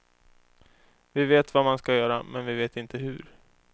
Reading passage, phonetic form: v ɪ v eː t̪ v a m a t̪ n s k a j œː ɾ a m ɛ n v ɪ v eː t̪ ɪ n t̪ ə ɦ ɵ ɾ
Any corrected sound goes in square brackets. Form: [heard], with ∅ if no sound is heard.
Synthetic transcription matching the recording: v ɪ v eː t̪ v a m a [∅] n s k a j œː ɾ a m ɛ n v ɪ v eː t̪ ɪ n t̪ ə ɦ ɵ ɾ